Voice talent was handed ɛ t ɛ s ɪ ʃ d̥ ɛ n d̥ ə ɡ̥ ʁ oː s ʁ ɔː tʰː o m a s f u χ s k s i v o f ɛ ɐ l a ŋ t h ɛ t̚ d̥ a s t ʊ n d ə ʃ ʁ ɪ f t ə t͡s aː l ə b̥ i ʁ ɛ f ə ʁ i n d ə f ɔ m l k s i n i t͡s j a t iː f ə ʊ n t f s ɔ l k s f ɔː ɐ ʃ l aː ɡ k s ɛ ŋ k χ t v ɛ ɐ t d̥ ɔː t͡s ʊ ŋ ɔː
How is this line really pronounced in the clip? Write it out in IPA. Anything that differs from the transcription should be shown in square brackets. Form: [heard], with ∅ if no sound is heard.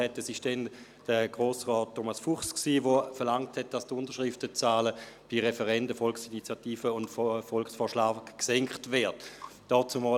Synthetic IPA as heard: ɛ t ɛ s ɪ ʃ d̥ ɛ n d̥ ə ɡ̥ ʁ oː s ʁ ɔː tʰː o m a s f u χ s k s [iː] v o f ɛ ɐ l a ŋ t h ɛ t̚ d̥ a s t ʊ n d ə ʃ ʁ ɪ f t ə t͡s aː l ə b̥ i ʁ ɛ f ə ʁ [ɛ] n d ə f ɔ [∅] l k s i n i t͡s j a t iː f ə ʊ n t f [f] ɔ l k s f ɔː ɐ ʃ l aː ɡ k s ɛ ŋ k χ t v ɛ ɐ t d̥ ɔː t͡s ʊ [m] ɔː

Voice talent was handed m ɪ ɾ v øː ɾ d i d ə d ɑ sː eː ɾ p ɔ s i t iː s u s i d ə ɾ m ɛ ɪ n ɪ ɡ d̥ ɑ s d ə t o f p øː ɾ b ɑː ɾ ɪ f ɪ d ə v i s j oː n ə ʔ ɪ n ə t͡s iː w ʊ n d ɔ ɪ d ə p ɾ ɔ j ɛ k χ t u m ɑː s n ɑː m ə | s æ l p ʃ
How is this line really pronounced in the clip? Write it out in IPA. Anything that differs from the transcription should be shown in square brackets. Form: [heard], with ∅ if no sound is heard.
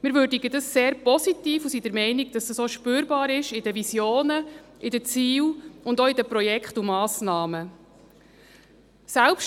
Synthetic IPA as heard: m ɪ ɾ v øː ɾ d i [ɡ] ə d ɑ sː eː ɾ p ɔ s i t iː [f] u s i d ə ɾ m ɛ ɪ n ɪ ɡ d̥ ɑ s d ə [s] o [ʃ] p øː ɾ b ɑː ɾ ɪ [ʃ] ɪ d ə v i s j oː n ə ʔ ɪ [d] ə t͡s iː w ʊ n d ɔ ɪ d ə p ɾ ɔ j ɛ k χ t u m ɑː s n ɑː m ə | s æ l p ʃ

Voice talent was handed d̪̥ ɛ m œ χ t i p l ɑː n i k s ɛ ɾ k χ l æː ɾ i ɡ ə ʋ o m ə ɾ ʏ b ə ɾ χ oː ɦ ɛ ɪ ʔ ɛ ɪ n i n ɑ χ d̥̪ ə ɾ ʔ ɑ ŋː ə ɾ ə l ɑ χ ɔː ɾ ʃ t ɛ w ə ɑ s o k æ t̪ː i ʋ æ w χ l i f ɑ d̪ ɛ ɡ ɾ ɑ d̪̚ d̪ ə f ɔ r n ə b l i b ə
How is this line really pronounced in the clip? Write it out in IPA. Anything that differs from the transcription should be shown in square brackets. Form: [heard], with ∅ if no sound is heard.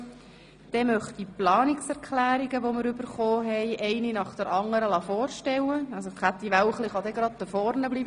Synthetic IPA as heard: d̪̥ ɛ m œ χ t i p l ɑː n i k s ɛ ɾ k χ l æː ɾ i ɡ ə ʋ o m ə ɾ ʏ b ə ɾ χ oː ɦ ɛ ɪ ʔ ɛ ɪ n i n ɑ χ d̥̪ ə ɾ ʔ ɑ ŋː ə ɾ ə l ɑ [f] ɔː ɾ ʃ t ɛ w ə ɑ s o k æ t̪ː i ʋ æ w χ l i [χ] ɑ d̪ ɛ ɡ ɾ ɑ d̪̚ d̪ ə f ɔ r n ə b l i b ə

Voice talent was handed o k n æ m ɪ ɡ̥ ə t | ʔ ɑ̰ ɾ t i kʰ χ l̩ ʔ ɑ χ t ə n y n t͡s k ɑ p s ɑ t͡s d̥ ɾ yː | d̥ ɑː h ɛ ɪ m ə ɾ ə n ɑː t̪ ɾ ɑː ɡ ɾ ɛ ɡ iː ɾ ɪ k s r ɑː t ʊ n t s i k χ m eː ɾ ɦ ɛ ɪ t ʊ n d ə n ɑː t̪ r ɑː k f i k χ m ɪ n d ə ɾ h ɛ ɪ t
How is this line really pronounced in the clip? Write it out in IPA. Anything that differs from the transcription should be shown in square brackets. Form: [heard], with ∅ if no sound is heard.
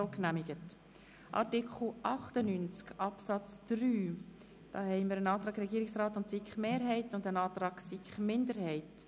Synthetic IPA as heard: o k n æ m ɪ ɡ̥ ə t | ʔ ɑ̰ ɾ t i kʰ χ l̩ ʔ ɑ χ t ə n y n t͡s k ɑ p s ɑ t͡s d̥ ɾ yː | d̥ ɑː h ɛ ɪ m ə ɾ ə n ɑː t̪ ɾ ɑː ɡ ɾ ɛ ɡ iː ɾ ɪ k s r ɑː t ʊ n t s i k χ m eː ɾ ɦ ɛ ɪ t ʊ n d ə n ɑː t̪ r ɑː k [s] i k χ m ɪ n d ə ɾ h ɛ ɪ t

